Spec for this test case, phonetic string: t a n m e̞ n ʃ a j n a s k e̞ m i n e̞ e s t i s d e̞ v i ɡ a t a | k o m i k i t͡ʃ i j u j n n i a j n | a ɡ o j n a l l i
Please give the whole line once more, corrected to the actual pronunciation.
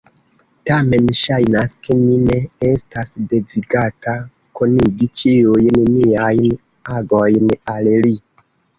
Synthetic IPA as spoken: t a m e̞ n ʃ a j n a s k e̞ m i n e̞ e s t a s d e̞ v i ɡ a t a | k o n i ɡ i t͡ʃ i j u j n n i a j n | a ɡ o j n a l l i

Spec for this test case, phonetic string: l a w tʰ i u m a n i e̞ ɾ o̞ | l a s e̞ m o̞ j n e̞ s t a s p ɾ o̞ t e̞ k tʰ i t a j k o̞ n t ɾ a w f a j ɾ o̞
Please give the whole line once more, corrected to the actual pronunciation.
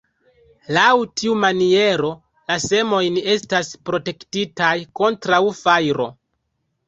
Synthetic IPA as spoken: l a w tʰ i u m a n i e̞ ɾ o̞ | l a s e̞ m o̞ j n e̞ s t a s p ɾ o̞ t e̞ k t i t a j k o̞ n t ɾ a w f a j ɾ o̞

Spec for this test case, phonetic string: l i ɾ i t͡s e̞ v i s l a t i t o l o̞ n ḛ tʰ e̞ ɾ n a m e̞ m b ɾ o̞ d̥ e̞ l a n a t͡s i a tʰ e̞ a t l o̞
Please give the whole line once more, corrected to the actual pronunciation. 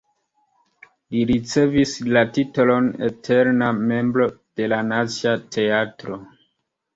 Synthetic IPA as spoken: l i ɾ i t͡s e̞ v i s l a t i t o l o̞ n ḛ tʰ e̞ ɾ n a m e̞ m b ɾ o̞ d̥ e̞ l a n a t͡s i a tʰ e̞ a t ɾ o̞

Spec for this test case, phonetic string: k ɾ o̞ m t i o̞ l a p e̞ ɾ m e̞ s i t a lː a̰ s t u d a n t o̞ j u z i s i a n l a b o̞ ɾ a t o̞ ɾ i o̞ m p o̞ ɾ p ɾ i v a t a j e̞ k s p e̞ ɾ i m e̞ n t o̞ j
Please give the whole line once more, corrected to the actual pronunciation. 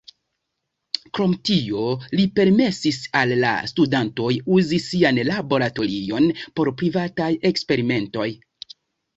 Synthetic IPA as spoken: k ɾ o̞ m t i o̞ l i p e̞ ɾ m e̞ s i s a lː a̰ s t u d a n t o̞ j u z i s i a n l a b o̞ ɾ a t o̞ ɾ i o̞ n p o̞ ɾ p ɾ i v a t a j e̞ k s p e̞ ɾ i m e̞ n t o̞ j

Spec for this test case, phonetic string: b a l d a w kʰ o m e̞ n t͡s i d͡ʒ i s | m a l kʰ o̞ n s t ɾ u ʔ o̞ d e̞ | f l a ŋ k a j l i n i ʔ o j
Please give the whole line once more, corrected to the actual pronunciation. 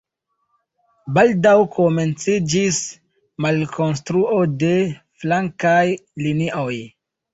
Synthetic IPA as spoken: b a l d a w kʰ o m e̞ n t͡s i d͡ʒ i s | m a l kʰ o̞ n s t ɾ u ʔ o̞ d e̞ | f l a ŋ k a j l i n i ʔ o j

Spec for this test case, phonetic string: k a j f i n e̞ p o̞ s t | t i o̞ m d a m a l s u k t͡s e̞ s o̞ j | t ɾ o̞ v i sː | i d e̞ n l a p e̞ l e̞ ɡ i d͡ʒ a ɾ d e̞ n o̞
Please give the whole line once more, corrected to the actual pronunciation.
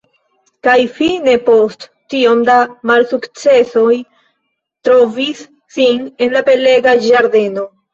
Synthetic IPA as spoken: k a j f i n e̞ p o̞ s t | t i o̞ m d a m a l s u k t͡s e̞ s o̞ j | t ɾ o̞ v i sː | i n e̞ n l a p e̞ l e̞ ɡ a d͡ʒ a ɾ d e̞ n o̞

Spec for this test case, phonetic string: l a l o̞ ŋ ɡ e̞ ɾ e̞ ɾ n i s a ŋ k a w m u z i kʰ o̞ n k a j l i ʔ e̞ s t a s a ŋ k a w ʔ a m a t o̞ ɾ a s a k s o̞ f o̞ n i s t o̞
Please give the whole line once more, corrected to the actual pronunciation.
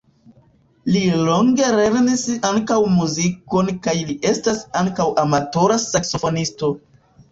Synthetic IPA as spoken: l i l o̞ ŋ ɡ e̞ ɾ e̞ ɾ n i s a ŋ k a w m u z i k o̞ n k a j l i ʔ e̞ s t a s a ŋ k a w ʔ a m a t o̞ ɾ a s a k s o̞ f o̞ n i s t o̞

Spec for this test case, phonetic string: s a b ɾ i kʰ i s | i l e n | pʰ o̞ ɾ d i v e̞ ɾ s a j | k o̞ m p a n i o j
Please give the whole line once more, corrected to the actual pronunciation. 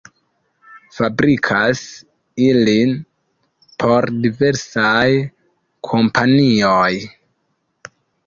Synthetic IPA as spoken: f a b ɾ i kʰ a s | i l i n | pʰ o̞ ɾ d i v e̞ ɾ s a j | kʰ o̞ m p a n i o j

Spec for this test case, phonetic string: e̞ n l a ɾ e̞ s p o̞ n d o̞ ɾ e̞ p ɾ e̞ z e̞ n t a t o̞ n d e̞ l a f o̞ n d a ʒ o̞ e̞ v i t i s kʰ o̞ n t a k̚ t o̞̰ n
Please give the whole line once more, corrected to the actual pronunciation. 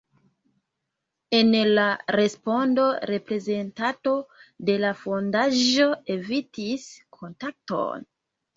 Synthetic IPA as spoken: e̞ n l a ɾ e̞ s p o̞ n d o̞ ɾ e̞ p ɾ e̞ z e̞ n t a t o̞ d e̞ l a f o̞ n d a ʒ o̞ e̞ v i t i s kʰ o̞ n t a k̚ t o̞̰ n

